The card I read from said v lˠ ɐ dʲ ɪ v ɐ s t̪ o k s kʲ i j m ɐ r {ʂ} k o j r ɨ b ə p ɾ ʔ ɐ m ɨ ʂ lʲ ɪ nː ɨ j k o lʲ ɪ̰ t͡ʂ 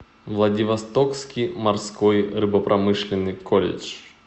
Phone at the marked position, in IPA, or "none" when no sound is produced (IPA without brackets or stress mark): s